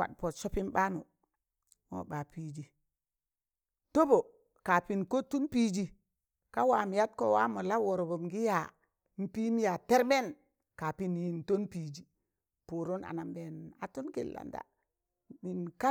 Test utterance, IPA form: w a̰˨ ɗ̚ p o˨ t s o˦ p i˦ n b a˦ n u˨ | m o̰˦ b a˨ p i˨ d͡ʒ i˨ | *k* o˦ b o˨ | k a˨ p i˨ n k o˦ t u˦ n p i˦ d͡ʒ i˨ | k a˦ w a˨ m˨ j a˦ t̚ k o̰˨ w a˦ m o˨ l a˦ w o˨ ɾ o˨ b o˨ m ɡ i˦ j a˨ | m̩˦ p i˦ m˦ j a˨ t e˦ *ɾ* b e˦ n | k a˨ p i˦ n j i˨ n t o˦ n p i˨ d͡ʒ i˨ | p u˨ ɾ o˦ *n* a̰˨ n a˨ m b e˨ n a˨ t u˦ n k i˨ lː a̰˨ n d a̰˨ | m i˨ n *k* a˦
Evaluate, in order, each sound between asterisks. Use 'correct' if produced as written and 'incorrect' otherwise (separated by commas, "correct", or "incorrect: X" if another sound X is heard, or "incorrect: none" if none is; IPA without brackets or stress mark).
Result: incorrect: t, correct, correct, correct